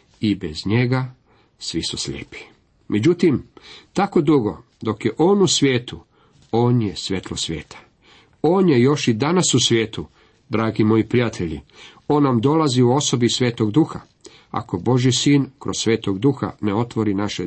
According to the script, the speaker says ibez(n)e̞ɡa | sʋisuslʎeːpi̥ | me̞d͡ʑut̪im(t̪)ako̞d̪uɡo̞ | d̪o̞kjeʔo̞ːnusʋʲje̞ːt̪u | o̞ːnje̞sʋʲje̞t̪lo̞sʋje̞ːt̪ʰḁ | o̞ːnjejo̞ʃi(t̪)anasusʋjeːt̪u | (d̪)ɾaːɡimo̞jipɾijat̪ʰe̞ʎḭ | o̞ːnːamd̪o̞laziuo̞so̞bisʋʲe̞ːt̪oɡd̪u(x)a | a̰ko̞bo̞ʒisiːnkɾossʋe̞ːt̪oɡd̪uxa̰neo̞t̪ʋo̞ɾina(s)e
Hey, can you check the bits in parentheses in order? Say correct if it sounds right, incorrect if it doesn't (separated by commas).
incorrect, correct, incorrect, correct, correct, incorrect